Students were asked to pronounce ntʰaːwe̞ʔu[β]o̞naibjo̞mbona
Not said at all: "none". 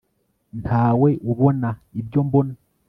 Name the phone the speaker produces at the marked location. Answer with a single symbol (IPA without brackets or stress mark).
β